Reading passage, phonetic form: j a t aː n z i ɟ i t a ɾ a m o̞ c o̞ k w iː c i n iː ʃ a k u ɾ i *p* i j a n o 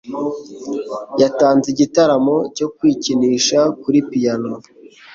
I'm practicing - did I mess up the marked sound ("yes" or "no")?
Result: no